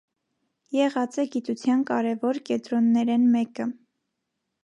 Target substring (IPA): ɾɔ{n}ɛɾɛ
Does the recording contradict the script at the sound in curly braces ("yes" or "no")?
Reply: yes